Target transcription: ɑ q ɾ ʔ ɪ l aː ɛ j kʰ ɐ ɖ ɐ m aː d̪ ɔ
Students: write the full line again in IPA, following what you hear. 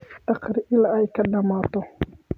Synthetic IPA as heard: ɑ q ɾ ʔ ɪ l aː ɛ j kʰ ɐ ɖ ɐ m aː t̪ ɔ